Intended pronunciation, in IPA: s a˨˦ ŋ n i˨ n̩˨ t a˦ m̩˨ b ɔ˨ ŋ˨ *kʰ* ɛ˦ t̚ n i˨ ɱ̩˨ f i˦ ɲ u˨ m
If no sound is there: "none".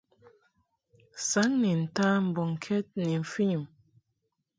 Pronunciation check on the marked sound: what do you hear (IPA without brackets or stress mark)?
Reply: kʰ